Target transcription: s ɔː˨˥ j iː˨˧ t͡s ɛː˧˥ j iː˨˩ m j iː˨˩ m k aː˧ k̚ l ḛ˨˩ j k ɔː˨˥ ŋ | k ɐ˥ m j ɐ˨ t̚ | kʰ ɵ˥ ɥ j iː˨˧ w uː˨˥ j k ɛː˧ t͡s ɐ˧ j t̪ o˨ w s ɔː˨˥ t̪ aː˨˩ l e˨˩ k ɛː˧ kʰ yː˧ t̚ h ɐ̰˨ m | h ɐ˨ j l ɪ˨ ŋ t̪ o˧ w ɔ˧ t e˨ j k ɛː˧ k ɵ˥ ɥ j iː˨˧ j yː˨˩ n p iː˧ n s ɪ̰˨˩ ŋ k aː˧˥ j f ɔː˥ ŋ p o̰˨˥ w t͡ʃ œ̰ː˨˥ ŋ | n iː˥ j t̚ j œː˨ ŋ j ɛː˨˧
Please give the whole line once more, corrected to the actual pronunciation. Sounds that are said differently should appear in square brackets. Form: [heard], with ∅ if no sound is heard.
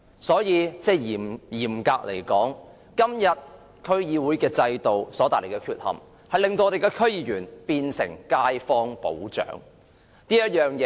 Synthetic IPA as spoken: s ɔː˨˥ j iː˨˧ t͡s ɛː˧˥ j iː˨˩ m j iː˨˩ m k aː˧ k̚ l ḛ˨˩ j k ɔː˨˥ ŋ | k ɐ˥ m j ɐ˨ t̚ | kʰ ɵ˥ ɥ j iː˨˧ w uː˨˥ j k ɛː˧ t͡s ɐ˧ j t̪ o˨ w s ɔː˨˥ t̪ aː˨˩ l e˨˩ k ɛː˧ kʰ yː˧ t̚ h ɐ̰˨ m | h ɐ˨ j l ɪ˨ ŋ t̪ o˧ w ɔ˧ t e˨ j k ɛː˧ [kʰ] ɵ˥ ɥ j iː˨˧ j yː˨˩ n p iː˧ n s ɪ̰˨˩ ŋ k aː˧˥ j f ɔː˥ ŋ p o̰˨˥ w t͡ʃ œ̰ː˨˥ ŋ | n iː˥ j t̚ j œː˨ ŋ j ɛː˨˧